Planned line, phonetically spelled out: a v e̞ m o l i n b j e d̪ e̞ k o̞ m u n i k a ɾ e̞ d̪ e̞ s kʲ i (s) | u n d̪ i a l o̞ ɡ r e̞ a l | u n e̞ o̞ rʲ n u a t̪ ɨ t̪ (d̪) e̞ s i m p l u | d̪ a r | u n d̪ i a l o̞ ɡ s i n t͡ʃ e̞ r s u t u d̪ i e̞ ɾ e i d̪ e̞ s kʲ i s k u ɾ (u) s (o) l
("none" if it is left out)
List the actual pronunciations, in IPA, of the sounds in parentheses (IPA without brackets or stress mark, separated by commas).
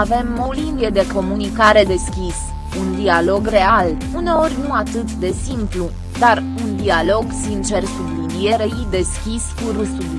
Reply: s, d̪, u, u